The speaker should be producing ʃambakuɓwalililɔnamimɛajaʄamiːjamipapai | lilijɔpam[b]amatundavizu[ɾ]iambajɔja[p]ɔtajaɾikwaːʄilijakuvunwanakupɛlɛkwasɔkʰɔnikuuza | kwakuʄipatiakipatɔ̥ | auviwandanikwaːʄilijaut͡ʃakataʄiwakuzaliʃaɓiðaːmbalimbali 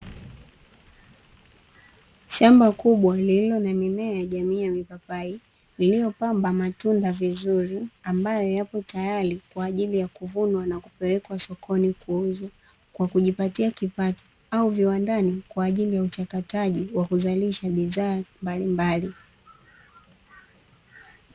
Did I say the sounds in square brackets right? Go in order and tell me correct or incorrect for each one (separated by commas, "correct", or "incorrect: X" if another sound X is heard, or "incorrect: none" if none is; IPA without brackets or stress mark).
correct, correct, correct